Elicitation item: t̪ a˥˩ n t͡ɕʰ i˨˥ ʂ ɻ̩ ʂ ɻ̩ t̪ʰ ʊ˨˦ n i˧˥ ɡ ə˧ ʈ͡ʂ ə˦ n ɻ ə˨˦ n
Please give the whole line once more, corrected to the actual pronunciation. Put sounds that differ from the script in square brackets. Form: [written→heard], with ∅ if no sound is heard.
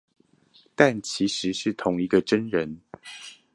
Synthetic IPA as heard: t̪ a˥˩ n t͡ɕʰ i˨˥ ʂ ɻ̩ ʂ ɻ̩ t̪ʰ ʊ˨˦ [n→ŋ] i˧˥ ɡ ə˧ ʈ͡ʂ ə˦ n ɻ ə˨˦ n